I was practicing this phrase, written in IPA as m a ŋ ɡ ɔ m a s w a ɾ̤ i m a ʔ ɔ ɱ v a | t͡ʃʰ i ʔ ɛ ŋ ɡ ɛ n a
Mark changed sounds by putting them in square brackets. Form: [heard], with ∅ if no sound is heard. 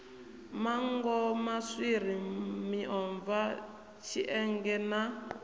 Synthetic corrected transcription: m a ŋ ɡ ɔ m a s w [i] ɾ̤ i m [i] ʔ ɔ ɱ v a | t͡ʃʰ i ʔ ɛ ŋ ɡ ɛ n a